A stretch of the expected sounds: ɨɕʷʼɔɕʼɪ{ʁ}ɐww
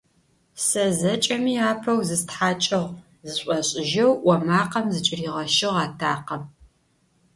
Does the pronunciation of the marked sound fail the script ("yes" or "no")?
yes